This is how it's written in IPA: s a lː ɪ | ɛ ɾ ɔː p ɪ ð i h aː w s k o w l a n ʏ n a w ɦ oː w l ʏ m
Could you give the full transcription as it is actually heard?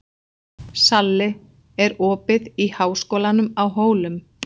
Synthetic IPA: s a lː ɪ | ɛ ɾ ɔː p ɪ ð i h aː w s k o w l a n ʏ m a w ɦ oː w l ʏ m